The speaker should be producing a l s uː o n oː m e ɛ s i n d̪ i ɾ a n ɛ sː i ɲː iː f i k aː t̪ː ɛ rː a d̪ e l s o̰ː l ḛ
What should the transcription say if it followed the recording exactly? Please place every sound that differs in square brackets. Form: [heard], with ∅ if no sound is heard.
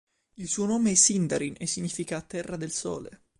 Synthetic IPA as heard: [i] l s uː o n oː m e ɛ s i n d̪ [a] ɾ [i] n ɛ sː i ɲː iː f i k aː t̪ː ɛ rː a d̪ e l s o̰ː l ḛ

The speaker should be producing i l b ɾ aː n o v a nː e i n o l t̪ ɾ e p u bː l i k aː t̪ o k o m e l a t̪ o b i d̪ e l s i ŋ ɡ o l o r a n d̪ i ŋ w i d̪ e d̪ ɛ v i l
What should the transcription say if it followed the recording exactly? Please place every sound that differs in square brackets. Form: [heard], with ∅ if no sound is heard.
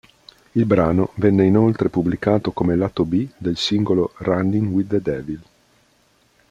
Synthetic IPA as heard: i l b ɾ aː n o v [ɛ] nː e i n o l t̪ ɾ e p u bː l i k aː t̪ o k o m e l a t̪ o b i d̪ e l s i ŋ ɡ o l o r a n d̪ i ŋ w i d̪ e d̪ ɛ v i l

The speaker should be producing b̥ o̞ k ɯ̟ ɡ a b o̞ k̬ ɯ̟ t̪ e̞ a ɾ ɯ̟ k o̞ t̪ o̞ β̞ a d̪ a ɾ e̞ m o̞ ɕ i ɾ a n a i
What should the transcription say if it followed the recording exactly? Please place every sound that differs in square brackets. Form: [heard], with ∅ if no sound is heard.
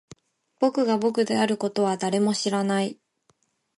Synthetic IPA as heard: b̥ o̞ k ɯ̟ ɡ a b o̞ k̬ ɯ̟ [d̪] e̞ a ɾ ɯ̟ k o̞ t̪ o̞ β̞ a d̪ a ɾ e̞ m o̞ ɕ i ɾ a n a i

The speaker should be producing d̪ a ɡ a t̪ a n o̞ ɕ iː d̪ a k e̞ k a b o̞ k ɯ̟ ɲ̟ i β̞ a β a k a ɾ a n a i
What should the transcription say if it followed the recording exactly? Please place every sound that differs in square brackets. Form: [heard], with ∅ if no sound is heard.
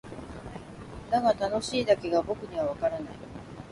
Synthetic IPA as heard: d̪ a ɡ a t̪ a n o̞ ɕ iː d̪ a k e̞ [ɡ] a b o̞ k ɯ̟ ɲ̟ i β̞ a β a k a ɾ a n a i

